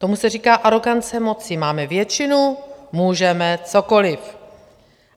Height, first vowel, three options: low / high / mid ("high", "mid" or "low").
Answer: mid